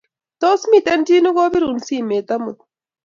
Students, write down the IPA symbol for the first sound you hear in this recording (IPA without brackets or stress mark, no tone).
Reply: t̪